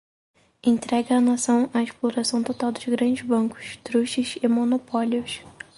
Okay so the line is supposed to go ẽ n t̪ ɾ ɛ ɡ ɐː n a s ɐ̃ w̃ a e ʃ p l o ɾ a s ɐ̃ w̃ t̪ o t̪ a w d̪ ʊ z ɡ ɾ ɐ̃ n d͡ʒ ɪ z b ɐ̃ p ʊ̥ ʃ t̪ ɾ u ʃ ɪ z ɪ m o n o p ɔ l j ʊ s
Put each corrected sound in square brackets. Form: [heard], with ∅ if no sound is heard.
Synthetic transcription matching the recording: ẽ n t̪ ɾ ɛ ɡ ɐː n a s ɐ̃ w̃ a e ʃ p l o ɾ a s ɐ̃ w̃ t̪ o t̪ a w d̪ ʊ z ɡ ɾ ɐ̃ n d͡ʒ ɪ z b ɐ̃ [k] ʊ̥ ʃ t̪ ɾ u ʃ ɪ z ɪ m o n o p ɔ l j ʊ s